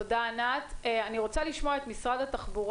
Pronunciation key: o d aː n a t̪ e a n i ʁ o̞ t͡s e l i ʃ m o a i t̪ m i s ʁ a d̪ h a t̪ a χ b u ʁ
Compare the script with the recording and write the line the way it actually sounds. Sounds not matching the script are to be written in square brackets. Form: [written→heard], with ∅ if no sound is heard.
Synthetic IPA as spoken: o d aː n a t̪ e a n i ʁ o̞ t͡s [e→a] l i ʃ m o a [i→e] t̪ m i s ʁ a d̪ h a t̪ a χ b u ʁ

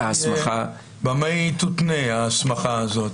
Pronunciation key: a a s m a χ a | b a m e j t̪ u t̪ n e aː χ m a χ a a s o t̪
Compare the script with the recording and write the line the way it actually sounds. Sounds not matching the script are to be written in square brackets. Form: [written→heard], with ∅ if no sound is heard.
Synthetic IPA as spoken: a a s m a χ a | b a m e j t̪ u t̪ n e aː [χ→s] m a χ a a [s→z] o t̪

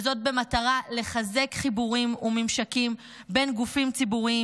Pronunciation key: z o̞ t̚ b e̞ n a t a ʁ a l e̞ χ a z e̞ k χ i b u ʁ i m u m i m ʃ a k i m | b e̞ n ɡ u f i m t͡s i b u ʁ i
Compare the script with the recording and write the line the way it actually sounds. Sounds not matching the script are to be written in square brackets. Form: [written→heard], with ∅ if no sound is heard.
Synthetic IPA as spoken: z o̞ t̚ b e̞ [n→m] a t a ʁ a l e̞ χ a z e̞ k χ i b u ʁ i m u m i m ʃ a k i m | b e̞ n ɡ u f i m t͡s i b u ʁ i

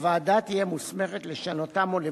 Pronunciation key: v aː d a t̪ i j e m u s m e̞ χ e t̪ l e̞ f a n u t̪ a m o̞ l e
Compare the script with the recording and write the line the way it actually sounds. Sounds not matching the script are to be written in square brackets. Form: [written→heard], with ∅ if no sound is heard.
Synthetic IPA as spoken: v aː d a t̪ i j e m u s m e̞ χ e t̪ l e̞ [f→ʃ] a n [u→o] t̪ a m o̞ l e

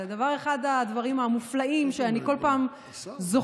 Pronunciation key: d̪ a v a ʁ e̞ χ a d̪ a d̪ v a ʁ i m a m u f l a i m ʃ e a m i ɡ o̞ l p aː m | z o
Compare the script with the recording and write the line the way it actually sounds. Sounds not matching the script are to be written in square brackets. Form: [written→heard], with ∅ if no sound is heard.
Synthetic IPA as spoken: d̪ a v a ʁ e̞ χ a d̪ a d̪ v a ʁ i m a m u f l a i m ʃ e a [m→n] i [ɡ→k] o̞ l p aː m | z o

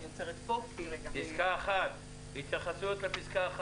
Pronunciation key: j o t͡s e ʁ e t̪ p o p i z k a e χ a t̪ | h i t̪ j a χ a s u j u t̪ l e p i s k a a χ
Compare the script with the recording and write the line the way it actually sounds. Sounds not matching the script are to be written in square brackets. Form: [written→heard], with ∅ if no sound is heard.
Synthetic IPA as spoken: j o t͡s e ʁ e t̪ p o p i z k a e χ a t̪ | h i t̪ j a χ a s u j [u→o] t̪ l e p i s k a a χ

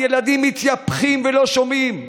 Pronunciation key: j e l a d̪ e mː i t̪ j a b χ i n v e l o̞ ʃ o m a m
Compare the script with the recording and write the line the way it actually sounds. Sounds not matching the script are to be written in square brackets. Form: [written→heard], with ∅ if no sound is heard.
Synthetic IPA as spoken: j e l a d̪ [e→i] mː i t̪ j a [b→p] χ i [n→m] v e l o̞ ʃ o m [a→i] m

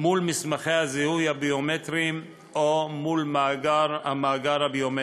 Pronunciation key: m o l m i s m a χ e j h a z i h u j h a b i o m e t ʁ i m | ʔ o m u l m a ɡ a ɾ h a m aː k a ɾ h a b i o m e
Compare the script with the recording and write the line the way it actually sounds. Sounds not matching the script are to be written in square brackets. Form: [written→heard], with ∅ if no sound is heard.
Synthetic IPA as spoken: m [o→u] l m i s m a χ e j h a z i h u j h a b i o m e t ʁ i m | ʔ o m u l m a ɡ a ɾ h a m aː [k→ɡ] a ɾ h a b i o m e

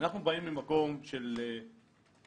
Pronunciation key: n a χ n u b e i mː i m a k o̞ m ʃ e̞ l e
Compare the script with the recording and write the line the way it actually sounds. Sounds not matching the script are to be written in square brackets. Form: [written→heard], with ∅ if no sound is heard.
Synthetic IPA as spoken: n a χ n u b [e→a] i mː i m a k o̞ m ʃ e̞ l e

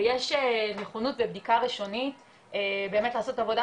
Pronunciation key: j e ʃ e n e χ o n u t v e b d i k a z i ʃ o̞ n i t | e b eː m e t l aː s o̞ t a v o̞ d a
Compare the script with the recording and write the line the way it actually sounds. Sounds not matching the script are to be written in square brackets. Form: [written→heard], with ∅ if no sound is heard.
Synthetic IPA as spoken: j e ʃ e n e χ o n u t v e b d i k a [z→ʁ] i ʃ o̞ n i t | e b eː m e t l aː s o̞ t a v o̞ d a

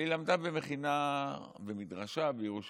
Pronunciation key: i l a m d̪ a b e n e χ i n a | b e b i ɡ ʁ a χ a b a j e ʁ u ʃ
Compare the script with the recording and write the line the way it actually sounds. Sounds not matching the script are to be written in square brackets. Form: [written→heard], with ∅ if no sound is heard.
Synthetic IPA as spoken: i l a m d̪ a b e [n→m] e χ i n a | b e [b→m] i [ɡ→d] ʁ a [χ→ʃ] a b [a→e] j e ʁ u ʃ

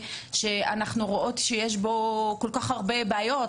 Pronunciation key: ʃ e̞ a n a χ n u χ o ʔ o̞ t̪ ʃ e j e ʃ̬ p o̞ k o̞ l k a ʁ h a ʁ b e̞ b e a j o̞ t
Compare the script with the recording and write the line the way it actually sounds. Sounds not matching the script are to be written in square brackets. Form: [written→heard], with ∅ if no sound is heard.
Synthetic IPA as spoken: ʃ e̞ a n a χ n u [χ→ʁ] o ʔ o̞ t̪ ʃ e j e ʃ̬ [p→b] o̞ k o̞ l k a [ʁ→χ] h a ʁ b e̞ b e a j o̞ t

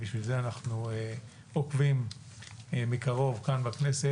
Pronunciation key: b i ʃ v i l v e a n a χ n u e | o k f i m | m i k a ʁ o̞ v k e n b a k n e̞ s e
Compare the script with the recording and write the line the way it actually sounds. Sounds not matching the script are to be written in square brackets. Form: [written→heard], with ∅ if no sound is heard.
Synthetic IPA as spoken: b i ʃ v i l [v→z] e a n a χ n u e | o k [f→v] i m | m i k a ʁ o̞ v k [e→a] n b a k n e̞ s e

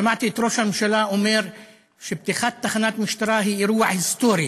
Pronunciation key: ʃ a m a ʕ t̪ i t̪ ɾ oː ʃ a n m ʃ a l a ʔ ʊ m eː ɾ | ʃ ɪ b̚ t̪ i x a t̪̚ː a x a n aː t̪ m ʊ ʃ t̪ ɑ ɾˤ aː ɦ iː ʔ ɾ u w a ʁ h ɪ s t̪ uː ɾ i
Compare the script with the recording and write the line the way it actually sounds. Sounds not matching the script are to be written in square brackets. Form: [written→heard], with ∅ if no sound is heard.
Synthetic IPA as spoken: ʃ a m a ʕ t̪ i t̪ ɾ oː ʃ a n m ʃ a l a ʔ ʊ m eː ɾ | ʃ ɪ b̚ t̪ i x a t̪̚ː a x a n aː t̪ m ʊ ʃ t̪ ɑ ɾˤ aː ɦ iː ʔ ɾ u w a [ʁ→ʕ] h ɪ s t̪ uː ɾ i

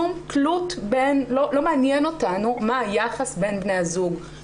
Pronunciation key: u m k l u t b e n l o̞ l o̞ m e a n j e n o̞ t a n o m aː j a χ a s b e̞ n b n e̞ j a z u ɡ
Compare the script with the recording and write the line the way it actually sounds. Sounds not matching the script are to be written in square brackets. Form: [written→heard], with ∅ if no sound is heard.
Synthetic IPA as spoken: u m k l u t b e n l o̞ l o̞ m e a n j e n o̞ t a n [o→u] m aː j a χ a s b e̞ n b n e̞ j a z u ɡ

